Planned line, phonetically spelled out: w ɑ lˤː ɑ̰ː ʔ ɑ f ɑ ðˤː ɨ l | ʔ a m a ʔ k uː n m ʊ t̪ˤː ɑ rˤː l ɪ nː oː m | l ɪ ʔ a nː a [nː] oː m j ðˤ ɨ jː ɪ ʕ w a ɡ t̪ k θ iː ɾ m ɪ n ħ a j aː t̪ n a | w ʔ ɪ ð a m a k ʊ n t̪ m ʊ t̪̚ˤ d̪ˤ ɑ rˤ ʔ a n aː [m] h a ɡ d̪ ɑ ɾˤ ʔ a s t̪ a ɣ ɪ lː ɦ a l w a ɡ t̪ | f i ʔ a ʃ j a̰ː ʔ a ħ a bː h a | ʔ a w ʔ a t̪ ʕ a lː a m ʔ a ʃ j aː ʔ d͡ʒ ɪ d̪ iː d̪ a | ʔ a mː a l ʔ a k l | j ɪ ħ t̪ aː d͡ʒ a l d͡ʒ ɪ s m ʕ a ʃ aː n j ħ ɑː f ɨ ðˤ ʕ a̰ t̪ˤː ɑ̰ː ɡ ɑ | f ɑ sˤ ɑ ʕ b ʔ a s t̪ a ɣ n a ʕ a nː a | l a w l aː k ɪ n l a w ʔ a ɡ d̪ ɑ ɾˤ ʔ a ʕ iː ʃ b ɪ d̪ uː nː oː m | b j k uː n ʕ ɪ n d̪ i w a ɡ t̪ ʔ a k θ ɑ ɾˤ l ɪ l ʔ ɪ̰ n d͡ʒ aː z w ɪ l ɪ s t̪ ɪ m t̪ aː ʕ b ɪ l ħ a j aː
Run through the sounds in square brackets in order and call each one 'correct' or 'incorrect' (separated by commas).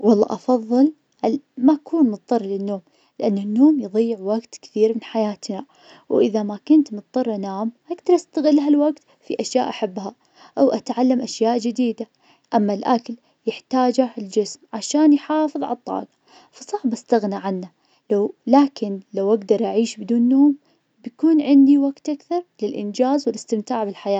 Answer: correct, correct